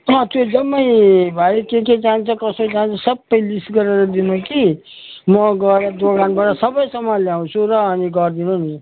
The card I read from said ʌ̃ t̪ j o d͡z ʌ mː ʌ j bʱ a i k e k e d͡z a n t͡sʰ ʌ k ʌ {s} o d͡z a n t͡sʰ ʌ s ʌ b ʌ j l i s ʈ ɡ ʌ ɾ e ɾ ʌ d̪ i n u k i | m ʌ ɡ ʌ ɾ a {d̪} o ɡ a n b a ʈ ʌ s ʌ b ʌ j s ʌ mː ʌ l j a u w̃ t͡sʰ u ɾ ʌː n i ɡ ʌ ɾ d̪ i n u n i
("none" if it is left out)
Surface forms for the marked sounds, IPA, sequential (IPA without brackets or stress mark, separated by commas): s, d̪